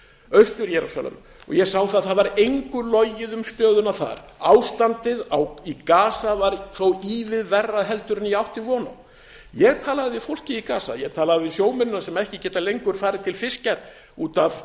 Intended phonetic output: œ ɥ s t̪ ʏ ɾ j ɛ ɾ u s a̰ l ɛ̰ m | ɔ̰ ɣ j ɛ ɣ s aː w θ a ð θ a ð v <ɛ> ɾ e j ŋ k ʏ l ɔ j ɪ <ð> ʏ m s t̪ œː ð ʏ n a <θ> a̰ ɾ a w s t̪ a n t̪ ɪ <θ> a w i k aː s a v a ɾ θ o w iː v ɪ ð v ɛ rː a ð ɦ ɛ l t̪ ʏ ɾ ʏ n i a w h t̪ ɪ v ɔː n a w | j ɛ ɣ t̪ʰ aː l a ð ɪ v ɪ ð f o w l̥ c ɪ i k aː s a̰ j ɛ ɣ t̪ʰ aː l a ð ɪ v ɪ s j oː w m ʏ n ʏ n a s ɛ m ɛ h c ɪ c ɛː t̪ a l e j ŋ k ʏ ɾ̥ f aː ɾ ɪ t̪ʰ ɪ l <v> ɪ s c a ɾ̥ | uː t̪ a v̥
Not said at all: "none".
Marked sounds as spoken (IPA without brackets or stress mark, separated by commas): a, ð, θ, ð, f